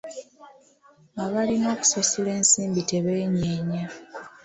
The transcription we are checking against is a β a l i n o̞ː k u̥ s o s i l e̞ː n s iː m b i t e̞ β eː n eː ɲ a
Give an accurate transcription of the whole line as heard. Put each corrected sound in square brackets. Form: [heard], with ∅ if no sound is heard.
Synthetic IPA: a β a l i n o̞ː k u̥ s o s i l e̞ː n s iː m b i t e̞ β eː [ɲ] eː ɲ a